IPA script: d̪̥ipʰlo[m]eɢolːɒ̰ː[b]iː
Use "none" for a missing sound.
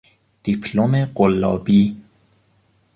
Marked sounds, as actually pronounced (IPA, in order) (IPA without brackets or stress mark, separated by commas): m, b